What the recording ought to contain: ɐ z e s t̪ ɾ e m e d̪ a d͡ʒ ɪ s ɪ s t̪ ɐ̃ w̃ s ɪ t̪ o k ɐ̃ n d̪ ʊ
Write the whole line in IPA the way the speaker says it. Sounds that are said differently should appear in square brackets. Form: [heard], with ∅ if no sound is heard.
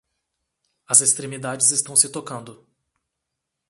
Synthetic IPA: ɐ z e s t̪ ɾ e m [i] d̪ a d͡ʒ ɪ [z] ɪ s t̪ ɐ̃ w̃ s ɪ t̪ o k ɐ̃ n d̪ ʊ

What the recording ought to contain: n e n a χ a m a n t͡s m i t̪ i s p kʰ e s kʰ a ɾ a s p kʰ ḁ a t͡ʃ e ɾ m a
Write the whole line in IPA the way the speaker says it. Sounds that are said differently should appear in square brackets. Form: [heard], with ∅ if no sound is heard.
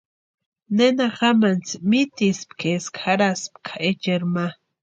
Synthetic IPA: n e n a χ a m a n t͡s m i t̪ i s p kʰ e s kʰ a ɾ a s p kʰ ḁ [e] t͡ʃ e ɾ m a

